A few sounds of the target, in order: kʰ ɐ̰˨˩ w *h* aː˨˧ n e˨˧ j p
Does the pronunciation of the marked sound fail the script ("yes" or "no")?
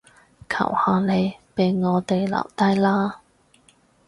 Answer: no